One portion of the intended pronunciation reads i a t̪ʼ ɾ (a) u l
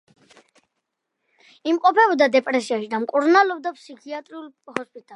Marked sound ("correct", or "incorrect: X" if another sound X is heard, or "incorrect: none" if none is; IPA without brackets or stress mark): incorrect: i